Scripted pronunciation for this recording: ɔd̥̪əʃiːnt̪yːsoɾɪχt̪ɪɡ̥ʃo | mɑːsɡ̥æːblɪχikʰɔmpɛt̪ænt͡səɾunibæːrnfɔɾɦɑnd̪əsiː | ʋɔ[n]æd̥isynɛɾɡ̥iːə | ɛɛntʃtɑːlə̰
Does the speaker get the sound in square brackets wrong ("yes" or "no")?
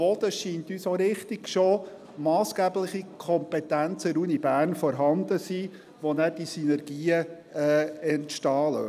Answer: no